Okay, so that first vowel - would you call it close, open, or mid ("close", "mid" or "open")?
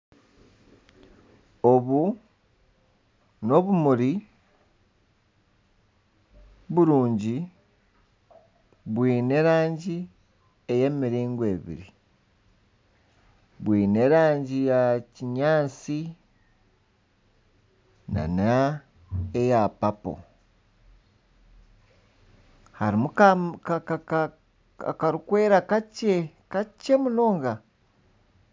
mid